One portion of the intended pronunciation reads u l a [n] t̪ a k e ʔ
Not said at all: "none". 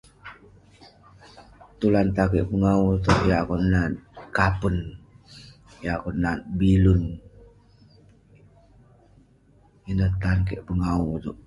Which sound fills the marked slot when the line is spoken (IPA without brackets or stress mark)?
n